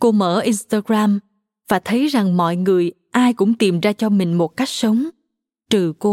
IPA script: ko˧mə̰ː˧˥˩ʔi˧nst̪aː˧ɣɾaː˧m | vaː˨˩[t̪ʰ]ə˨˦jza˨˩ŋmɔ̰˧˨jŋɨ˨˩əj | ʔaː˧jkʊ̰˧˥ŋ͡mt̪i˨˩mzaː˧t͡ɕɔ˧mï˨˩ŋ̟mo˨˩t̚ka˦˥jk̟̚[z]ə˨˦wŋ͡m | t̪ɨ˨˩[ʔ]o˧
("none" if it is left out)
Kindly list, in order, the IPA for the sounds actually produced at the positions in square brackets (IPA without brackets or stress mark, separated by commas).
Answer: t̪ʰ, s, k